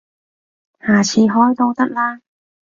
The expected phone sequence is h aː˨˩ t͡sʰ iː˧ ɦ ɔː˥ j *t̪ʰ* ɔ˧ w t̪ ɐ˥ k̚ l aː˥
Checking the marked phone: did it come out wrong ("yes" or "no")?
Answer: yes